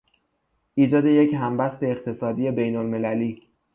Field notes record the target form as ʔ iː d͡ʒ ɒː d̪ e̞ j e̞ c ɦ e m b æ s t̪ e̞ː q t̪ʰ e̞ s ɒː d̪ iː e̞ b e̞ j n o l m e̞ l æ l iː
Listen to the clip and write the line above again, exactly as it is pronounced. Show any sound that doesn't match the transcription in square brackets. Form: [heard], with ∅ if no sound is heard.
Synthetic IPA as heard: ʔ iː d͡ʒ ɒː d̪ e̞ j e̞ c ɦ [æ] m b æ s t̪ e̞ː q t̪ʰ e̞ s ɒː d̪ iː e̞ b e̞ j n o l m e̞ l æ l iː